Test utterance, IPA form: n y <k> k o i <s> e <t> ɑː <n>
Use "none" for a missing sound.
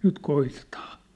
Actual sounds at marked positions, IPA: t, t, t, n

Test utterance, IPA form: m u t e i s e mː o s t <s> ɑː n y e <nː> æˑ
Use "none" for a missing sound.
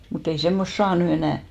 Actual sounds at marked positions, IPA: s, n

